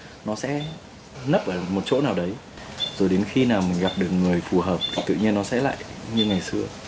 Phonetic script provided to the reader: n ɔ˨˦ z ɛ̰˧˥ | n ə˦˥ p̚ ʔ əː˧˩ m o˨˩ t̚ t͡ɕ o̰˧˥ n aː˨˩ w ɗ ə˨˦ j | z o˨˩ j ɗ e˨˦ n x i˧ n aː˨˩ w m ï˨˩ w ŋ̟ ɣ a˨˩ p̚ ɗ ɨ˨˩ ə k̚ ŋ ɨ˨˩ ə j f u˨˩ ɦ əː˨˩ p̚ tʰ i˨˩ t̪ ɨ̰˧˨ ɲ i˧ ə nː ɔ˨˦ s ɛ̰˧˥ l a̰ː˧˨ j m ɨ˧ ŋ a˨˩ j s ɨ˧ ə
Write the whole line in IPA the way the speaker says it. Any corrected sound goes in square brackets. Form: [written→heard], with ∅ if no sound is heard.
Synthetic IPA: n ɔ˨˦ [z→s] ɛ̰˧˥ | n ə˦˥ p̚ ʔ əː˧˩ m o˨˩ t̚ t͡ɕ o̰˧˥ n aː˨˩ w ɗ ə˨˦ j | z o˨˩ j ɗ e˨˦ n x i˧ n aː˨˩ w m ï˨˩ [w→∅] ŋ̟ ɣ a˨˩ p̚ ɗ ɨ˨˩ ə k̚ ŋ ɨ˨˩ ə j f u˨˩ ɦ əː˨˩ p̚ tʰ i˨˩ t̪ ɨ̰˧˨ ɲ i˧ ə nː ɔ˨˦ s ɛ̰˧˥ l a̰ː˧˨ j [m→ɲ] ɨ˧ ŋ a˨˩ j s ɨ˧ ə